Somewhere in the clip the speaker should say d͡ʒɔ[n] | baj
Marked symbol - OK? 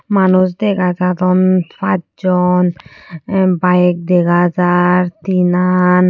yes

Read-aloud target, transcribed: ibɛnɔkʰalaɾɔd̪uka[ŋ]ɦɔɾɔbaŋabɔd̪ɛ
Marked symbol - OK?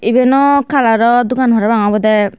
no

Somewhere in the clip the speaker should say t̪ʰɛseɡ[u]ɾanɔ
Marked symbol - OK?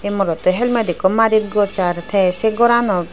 no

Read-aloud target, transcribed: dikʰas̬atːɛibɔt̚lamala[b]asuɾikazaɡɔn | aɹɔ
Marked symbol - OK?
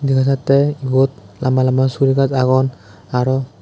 no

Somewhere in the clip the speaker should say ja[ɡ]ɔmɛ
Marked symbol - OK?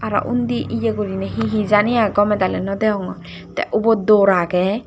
yes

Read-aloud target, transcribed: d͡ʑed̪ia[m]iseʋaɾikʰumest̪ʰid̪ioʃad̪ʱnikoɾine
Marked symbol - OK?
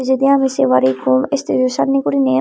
yes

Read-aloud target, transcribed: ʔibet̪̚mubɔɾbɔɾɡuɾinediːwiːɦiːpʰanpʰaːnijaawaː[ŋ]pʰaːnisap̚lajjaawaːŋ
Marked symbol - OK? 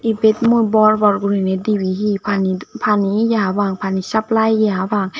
yes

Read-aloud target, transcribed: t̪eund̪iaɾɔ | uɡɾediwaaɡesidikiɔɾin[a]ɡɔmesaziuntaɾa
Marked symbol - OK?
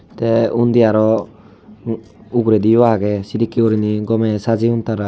no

